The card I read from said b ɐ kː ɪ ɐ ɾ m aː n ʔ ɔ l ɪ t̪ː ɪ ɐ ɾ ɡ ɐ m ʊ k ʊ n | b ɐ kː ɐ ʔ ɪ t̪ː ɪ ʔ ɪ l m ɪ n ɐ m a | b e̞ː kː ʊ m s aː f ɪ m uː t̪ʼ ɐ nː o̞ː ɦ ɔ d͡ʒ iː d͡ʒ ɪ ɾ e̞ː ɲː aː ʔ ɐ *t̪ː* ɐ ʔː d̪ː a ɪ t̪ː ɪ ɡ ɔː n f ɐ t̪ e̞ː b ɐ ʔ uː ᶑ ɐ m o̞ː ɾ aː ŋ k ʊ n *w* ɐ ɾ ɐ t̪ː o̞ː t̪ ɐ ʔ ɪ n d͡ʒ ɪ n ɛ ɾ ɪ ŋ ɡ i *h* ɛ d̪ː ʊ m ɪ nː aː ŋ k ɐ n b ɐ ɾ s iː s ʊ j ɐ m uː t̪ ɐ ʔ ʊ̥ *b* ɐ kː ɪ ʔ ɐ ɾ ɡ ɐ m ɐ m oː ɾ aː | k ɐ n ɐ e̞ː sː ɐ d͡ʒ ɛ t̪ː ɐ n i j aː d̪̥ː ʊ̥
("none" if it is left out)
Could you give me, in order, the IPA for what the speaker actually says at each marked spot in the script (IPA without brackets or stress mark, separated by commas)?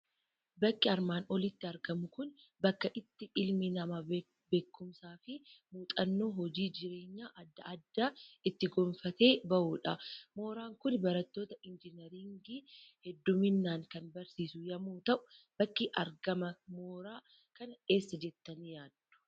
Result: d̪ː, b, h, b